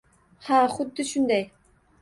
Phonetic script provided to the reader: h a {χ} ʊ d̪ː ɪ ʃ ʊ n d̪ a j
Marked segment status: correct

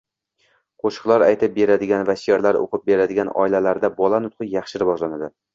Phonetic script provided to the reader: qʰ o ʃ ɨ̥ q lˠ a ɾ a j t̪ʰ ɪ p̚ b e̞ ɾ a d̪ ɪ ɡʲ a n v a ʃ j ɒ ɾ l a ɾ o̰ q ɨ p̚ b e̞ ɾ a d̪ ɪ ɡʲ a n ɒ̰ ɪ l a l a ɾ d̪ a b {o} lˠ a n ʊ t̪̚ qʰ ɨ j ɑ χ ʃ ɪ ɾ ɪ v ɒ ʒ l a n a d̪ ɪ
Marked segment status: incorrect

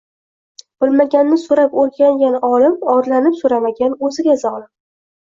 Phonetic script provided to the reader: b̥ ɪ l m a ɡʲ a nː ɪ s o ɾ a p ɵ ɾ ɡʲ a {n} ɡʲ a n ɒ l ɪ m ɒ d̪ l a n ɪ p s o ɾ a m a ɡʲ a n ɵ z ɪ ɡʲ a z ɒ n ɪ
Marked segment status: incorrect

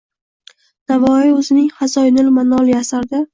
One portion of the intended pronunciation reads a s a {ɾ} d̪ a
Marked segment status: correct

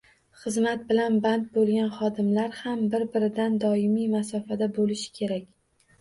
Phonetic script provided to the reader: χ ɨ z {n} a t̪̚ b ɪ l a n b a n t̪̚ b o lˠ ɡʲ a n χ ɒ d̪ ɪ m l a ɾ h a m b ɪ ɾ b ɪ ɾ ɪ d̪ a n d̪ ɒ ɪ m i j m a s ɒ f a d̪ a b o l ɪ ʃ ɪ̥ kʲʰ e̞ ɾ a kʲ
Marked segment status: incorrect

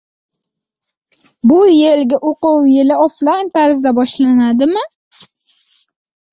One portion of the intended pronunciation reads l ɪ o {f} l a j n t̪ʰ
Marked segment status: correct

